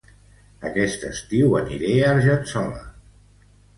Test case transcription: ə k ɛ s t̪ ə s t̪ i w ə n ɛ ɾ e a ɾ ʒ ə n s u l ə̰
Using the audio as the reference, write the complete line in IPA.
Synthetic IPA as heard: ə k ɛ s t̪ ə s t̪ i w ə n i ɾ e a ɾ ʒ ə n s ɔ l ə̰